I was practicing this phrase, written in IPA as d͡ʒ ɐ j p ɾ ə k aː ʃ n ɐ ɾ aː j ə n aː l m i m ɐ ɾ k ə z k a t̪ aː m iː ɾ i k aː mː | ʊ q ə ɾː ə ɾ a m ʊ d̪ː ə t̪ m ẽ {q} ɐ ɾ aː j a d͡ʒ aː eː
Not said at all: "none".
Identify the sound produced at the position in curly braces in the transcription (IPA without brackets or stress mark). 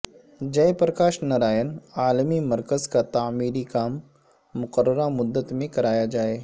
k